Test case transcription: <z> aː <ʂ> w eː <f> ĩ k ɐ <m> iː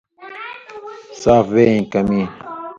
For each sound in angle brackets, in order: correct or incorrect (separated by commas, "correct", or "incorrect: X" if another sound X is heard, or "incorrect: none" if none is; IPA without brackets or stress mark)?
incorrect: s, incorrect: f, incorrect: none, correct